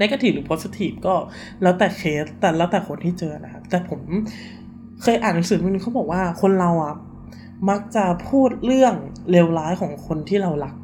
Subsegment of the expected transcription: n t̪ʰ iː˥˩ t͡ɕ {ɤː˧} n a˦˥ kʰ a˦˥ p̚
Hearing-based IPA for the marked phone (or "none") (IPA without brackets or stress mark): ɤː˧